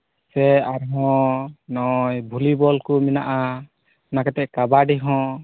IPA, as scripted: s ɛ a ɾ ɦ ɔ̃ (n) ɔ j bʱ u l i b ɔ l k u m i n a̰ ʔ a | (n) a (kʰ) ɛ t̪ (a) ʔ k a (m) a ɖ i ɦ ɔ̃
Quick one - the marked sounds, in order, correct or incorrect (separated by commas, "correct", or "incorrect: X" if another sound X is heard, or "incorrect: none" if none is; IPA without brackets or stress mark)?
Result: correct, correct, incorrect: k, incorrect: ɛ, incorrect: b